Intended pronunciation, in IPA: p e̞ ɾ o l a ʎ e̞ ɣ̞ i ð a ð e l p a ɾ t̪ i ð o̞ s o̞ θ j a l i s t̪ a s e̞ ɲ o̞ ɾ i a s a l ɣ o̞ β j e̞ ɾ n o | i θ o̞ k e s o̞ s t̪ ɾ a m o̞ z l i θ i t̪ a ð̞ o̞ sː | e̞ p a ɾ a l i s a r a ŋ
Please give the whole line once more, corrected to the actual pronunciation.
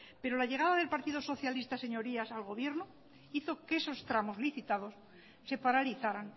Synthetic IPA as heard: p e̞ ɾ o l a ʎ e̞ ɣ̞ a ð a ð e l p a ɾ t̪ i ð o̞ s o̞ θ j a l i s t̪ a s e̞ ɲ o̞ ɾ i a s a l ɣ o̞ β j e̞ ɾ n o | i θ o̞ k e s o̞ s t̪ ɾ a m o̞ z l i θ i t̪ a ð̞ o̞ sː | e̞ p a ɾ a l i θ a ɾ a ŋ